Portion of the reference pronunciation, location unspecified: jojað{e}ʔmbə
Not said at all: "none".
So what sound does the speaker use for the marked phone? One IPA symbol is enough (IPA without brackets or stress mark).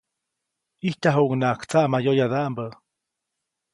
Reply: a